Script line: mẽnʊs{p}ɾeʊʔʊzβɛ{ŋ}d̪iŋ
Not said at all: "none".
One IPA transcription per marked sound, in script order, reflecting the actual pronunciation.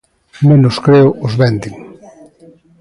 k, n

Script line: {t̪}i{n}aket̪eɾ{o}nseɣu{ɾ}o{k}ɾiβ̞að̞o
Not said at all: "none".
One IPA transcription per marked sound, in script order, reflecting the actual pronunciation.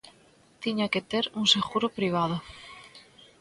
t̪, ɲ, u, ɾ, p

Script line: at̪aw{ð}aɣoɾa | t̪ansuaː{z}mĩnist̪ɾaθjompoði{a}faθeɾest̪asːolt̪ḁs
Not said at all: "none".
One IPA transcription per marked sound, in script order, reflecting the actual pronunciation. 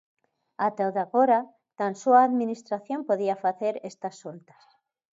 ð, ð, a

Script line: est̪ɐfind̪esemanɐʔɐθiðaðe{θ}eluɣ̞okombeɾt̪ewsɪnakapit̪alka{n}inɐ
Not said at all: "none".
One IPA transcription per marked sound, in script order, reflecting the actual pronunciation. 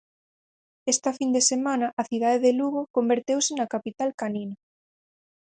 ð, n

